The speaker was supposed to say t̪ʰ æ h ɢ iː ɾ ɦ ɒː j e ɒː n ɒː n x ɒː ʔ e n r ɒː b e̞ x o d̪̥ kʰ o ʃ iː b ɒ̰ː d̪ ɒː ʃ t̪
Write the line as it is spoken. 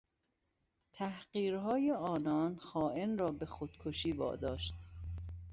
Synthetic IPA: t̪ʰ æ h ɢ iː ɾ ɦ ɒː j e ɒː n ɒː n x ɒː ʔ e n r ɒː b e̞ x o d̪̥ kʰ o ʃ iː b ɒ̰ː d̪ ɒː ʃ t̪